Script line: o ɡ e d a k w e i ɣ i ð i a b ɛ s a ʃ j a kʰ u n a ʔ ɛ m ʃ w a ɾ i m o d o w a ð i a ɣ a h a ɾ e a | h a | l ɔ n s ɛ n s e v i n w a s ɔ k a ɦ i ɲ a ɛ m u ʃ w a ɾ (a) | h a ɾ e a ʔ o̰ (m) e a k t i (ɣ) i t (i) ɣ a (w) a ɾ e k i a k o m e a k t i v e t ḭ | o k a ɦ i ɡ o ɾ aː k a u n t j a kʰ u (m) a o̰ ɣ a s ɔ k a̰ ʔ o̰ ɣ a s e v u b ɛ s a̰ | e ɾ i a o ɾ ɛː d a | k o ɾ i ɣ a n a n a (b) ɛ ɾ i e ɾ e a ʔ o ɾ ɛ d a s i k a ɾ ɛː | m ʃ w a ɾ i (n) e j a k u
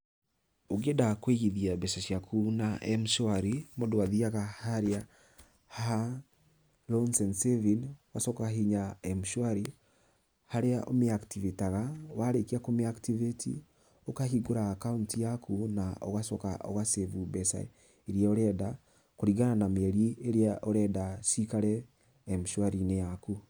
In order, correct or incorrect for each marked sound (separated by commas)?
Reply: incorrect, correct, incorrect, incorrect, correct, incorrect, incorrect, correct